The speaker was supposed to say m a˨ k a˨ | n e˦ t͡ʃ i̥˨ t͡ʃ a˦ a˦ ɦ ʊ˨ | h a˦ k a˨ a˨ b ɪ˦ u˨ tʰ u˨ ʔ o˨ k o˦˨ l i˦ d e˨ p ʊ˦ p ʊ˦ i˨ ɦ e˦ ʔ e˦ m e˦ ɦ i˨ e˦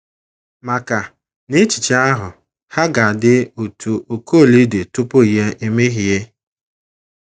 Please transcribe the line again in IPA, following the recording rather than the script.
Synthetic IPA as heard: m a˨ k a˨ | n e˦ t͡ʃ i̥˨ t͡ʃ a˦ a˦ ɦ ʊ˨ | h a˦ ɡ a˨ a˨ d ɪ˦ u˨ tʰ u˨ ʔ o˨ k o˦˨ l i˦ d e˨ t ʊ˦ p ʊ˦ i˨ ɦ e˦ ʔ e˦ m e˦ ɦ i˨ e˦